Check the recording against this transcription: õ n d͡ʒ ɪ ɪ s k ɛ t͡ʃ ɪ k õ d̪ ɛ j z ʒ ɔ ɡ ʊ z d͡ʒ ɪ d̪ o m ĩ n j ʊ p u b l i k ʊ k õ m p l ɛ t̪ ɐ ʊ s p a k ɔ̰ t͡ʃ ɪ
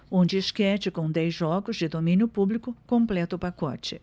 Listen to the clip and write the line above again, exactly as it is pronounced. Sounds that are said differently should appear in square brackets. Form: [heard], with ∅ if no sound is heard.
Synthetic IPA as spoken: õ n d͡ʒ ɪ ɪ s k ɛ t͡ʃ ɪ k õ d̪ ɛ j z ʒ ɔ ɡ ʊ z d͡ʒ ɪ d̪ o m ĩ n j ʊ p u b l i k ʊ k õ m p l ɛ t̪ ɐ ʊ [∅] p a k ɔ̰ t͡ʃ ɪ